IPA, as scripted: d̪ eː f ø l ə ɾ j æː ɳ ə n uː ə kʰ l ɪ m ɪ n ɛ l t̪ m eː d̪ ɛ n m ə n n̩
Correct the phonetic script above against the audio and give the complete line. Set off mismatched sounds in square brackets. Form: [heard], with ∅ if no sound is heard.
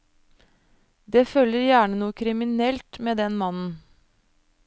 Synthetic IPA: d̪ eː f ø l ə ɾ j æː ɳ ə n uː ə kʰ [ɾ] ɪ m ɪ n ɛ l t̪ m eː d̪ ɛ n m [ɑ] n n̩